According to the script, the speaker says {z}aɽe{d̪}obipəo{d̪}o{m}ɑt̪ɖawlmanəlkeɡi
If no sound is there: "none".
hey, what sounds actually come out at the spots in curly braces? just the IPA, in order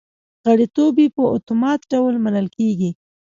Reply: ɣ, t̪, t̪, m

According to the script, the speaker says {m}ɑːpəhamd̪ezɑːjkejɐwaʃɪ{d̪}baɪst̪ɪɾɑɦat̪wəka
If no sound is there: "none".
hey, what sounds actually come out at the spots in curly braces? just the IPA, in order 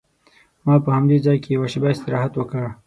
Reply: m, none

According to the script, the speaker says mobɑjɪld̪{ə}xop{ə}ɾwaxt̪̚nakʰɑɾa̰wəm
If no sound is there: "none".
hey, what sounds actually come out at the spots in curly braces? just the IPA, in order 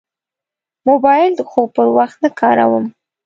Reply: ə, ə

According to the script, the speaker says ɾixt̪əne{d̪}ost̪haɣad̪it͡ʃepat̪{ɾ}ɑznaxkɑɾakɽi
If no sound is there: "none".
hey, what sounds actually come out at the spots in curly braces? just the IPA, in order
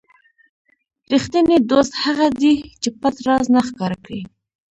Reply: d̪, ɾ

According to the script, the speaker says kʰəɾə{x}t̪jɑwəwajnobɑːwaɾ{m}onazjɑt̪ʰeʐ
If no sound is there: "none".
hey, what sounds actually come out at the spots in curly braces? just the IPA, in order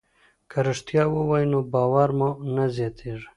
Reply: ʂ, m

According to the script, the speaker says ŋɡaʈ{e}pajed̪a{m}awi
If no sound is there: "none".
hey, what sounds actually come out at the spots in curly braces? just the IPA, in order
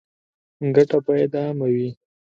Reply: a, m

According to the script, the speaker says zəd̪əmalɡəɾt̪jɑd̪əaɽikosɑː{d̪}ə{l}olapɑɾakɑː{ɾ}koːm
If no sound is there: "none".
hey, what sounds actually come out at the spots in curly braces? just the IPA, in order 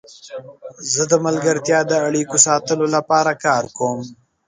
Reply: t̪, l, ɾ

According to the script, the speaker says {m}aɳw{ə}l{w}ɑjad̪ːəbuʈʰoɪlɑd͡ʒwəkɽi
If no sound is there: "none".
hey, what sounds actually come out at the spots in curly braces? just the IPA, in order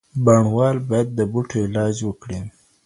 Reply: b, ɑ, b

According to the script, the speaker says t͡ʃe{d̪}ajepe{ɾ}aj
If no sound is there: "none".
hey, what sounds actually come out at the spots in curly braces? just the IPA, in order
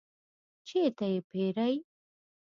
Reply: t̪, ɾ

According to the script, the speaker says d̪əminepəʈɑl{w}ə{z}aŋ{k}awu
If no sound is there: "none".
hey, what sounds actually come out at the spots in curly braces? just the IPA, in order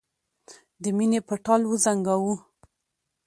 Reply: w, z, ɡ

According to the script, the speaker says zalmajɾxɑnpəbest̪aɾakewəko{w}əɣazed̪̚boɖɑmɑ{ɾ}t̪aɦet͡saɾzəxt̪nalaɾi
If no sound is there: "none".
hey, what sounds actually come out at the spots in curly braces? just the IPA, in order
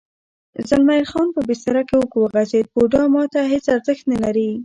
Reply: w, none

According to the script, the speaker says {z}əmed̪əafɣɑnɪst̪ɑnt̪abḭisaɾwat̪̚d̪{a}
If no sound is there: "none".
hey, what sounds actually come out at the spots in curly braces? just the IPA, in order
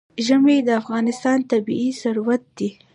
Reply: ʒ, i

